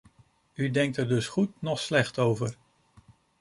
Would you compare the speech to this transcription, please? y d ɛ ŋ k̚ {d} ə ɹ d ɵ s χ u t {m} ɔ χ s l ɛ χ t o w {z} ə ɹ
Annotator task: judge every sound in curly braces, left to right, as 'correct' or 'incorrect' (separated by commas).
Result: incorrect, incorrect, incorrect